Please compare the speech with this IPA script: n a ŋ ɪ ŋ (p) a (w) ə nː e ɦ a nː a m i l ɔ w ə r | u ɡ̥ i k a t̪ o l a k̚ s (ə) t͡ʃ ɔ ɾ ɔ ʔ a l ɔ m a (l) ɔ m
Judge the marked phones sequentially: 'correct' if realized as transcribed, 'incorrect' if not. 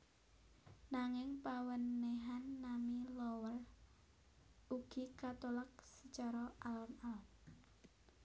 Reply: correct, correct, correct, correct

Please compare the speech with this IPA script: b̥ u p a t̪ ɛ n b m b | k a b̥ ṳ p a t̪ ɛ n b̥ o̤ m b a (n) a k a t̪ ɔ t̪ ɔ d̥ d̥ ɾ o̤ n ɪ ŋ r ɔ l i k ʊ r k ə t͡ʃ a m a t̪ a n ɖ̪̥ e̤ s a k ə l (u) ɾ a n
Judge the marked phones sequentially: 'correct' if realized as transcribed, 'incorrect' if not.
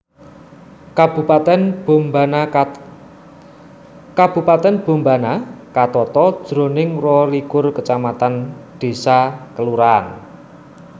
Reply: correct, correct

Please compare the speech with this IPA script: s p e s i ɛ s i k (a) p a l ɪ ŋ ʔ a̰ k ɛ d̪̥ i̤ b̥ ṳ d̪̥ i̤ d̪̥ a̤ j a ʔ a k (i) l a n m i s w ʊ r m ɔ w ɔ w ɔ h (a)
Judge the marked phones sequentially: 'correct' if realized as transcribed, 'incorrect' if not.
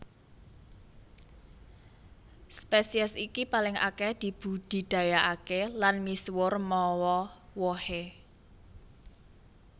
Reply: incorrect: i, incorrect: e, incorrect: e

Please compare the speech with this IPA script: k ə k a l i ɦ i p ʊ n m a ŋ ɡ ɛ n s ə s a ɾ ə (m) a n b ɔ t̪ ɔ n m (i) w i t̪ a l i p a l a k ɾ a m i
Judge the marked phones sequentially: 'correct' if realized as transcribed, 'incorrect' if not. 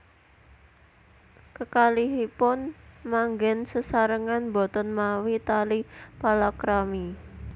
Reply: incorrect: ŋ, incorrect: a

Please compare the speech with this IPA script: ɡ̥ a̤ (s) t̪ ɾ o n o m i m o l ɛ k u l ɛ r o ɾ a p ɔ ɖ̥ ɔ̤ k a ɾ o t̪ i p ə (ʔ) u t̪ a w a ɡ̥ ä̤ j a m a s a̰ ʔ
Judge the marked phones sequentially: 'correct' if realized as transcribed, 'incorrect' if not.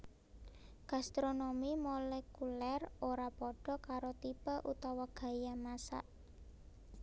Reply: correct, correct

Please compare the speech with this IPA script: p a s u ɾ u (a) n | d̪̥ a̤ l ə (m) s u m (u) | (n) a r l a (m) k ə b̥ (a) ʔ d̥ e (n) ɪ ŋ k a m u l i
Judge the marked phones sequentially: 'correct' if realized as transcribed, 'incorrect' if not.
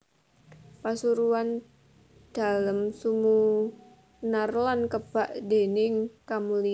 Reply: correct, correct, correct, correct, incorrect: n, correct, correct

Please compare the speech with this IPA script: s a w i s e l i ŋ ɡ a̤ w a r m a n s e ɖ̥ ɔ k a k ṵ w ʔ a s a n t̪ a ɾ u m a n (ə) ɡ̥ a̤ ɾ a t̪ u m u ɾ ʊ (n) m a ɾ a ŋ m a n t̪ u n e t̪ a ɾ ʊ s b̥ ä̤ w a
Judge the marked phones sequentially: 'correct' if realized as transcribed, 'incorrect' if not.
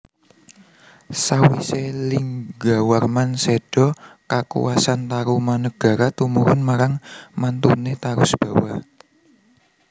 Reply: correct, correct

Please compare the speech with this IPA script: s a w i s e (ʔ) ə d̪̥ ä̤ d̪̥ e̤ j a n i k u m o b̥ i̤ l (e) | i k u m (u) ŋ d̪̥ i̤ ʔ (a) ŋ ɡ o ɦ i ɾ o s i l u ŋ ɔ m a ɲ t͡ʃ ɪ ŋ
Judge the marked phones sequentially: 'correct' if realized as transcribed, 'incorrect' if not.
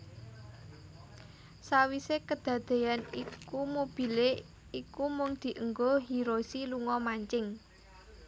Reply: incorrect: k, correct, incorrect: ʊ, incorrect: ə

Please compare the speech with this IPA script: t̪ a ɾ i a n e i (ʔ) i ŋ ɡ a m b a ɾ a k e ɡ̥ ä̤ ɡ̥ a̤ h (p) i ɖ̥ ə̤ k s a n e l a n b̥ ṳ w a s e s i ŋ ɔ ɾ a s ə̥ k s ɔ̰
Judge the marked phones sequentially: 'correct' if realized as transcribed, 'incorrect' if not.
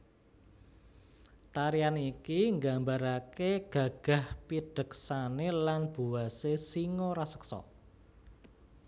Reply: incorrect: k, correct

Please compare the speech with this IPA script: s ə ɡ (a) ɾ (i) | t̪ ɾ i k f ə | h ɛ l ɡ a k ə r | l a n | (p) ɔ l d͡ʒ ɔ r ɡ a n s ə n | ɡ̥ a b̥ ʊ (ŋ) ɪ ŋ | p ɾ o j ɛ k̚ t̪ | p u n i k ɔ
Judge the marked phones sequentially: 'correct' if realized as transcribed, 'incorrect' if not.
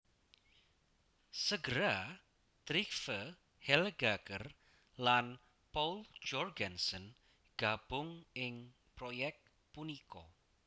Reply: incorrect: ə, incorrect: a, correct, correct

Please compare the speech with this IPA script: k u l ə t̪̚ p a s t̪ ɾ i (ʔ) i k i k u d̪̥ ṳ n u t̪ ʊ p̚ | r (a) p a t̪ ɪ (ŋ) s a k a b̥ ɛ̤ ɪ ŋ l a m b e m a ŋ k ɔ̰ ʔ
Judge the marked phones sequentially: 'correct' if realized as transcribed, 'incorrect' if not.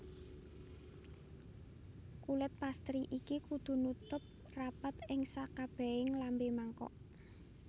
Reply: correct, correct, correct

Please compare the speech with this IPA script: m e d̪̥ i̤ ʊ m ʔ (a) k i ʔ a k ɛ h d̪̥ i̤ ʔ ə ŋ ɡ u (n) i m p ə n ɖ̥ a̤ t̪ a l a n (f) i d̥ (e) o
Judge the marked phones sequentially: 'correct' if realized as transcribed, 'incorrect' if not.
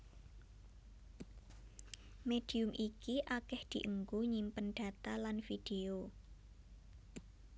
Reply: incorrect: i, incorrect: ɲ, correct, correct

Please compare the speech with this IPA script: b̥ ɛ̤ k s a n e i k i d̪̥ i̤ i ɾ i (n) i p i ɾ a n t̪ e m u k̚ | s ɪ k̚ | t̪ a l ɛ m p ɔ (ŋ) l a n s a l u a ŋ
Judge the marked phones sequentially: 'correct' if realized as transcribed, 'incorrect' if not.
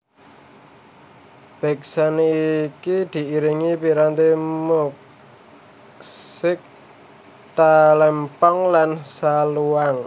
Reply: incorrect: ŋ, correct

